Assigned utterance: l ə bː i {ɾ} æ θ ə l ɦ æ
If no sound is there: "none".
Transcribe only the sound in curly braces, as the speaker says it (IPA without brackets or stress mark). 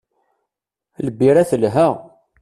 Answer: ɾ